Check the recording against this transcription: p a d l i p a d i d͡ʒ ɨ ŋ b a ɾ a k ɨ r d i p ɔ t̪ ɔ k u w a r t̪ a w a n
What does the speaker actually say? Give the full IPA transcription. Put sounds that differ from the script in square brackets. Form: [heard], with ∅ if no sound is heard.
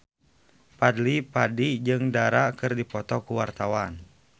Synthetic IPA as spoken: p a d l i p a d i d͡ʒ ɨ ŋ [d] a ɾ a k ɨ r d i p ɔ t̪ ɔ k u w a r t̪ a w a n